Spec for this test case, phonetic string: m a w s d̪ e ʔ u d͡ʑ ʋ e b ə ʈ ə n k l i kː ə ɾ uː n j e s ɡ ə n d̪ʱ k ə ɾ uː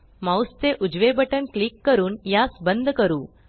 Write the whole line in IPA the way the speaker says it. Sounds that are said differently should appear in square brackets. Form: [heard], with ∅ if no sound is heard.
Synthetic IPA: m a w s [t̪] e ʔ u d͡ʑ ʋ e b ə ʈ ə n k l i kː ə ɾ uː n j [a] s [b] ə n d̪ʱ k ə ɾ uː